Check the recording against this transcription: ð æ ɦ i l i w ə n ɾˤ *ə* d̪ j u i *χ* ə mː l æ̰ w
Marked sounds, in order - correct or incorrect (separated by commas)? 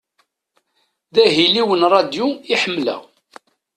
incorrect, incorrect